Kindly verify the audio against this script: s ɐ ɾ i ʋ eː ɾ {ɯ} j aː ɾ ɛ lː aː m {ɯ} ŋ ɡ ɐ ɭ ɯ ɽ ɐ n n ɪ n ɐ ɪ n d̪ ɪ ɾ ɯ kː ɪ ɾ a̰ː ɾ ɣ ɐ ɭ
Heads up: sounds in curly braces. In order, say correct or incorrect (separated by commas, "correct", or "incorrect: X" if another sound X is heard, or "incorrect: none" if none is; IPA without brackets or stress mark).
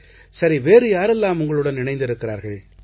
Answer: correct, incorrect: ʊ